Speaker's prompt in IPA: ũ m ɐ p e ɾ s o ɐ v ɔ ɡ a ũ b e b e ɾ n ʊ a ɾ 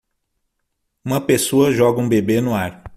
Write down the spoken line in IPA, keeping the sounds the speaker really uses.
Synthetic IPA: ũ m ɐ p e s o ɐ ʒ ɔ ɡ ɐ ũ b e b e n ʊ a ɾ